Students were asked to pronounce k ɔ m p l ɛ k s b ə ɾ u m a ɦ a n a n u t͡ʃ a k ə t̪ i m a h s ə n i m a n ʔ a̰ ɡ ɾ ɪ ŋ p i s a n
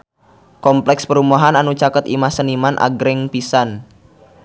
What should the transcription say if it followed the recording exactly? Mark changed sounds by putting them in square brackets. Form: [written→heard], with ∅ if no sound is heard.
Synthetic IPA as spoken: k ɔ m p l ɛ k s [b→p] ə ɾ u m a ɦ a n a n u t͡ʃ a k ə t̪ i m a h s ə n i m a n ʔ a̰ ɡ ɾ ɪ ŋ p i s a n